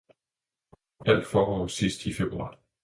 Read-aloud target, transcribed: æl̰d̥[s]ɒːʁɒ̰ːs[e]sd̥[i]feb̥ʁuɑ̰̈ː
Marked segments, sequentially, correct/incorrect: incorrect: f, incorrect: i, correct

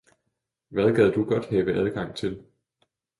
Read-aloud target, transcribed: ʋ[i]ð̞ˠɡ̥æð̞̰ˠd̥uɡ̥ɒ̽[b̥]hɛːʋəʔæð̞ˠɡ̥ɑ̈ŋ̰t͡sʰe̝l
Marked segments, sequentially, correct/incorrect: incorrect: æ, incorrect: d̥

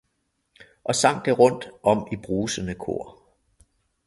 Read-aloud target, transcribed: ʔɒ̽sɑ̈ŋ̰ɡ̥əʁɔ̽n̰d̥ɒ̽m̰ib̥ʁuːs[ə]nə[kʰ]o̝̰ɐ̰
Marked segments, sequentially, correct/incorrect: correct, correct

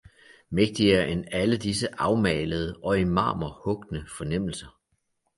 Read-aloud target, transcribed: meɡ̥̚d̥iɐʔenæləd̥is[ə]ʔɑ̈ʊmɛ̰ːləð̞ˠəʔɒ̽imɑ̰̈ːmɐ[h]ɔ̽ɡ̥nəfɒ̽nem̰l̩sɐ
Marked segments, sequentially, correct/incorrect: correct, correct

